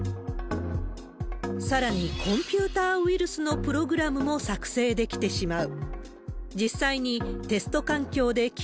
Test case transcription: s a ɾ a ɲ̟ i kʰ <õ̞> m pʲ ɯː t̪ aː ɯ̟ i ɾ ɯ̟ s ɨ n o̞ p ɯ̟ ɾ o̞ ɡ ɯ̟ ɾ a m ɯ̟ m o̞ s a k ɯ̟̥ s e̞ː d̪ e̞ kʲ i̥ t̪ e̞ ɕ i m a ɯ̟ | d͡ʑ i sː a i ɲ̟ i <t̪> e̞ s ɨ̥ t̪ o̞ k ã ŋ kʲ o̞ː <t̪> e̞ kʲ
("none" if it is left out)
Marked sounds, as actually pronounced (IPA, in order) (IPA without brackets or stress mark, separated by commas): õ̞, t̪, d̪